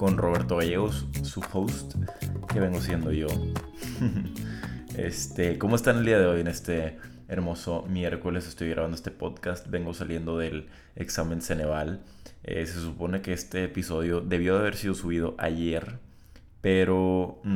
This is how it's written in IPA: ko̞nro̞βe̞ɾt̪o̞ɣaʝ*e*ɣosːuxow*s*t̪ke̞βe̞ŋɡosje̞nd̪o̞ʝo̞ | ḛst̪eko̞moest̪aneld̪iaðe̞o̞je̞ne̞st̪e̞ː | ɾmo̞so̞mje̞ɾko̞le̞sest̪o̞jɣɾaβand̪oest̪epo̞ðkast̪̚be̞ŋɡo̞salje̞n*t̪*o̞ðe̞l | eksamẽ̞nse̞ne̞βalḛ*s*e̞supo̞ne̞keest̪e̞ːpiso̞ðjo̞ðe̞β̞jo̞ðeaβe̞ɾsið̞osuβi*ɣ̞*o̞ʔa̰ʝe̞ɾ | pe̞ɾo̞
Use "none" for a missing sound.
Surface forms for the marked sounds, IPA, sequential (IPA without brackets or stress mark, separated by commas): e, s, d̪, s, ð̞